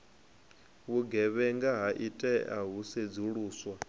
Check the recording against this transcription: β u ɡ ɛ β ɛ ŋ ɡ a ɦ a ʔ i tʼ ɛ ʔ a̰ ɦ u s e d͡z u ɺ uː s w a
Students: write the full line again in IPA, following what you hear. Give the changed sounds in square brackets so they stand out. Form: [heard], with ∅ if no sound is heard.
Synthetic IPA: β u ɡ ɛ β ɛ ŋ ɡ a ɦ a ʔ i tʼ ɛ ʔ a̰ ɦ u s e d͡z u ɺ uː s w a